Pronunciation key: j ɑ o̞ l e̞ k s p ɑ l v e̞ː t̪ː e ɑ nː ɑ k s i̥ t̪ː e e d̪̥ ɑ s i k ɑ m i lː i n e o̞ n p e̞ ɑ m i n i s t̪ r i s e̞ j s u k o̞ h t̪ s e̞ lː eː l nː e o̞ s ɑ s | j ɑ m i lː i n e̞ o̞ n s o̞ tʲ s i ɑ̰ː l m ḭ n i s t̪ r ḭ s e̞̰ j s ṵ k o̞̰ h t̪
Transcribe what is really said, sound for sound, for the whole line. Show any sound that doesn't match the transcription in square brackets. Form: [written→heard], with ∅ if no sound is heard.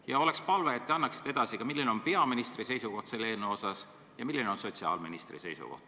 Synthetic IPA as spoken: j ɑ o̞ l e̞ k s p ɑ l v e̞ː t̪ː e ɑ nː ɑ k s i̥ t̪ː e e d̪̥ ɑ s i k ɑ m i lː i n e o̞ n p e̞ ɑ m i n i s t̪ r i s e̞ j s u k o̞ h t̪ s e̞ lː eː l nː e o̞ s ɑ s | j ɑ m i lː i n e̞ o̞ n s o̞ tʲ s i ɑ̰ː l m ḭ n i s t̪ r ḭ s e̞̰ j s ṵ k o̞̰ h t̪